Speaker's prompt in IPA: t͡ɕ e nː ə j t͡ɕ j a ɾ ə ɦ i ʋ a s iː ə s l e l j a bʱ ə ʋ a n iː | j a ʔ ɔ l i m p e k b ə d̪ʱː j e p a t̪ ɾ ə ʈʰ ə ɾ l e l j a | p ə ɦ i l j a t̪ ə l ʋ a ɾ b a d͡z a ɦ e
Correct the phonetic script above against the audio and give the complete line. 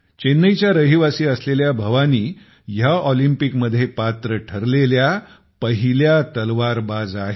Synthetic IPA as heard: t͡ɕ e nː ə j t͡ɕ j a ɾ ə ɦ i ʋ a s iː ə s l e l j a bʱ ə ʋ a n iː | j a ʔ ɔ l i m p i k m ə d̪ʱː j e p a t̪ ɾ ə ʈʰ ə ɾ l e l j a | p ə ɦ i l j a t̪ ə l ʋ a ɾ b a d͡z a ɦ e